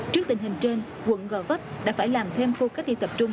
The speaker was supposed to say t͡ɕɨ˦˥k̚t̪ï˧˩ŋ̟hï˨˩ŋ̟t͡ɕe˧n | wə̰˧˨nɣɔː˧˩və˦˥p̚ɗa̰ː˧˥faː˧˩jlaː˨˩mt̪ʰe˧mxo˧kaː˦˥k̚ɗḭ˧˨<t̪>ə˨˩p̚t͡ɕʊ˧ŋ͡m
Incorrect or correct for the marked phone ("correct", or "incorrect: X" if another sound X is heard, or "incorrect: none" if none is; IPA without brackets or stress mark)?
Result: correct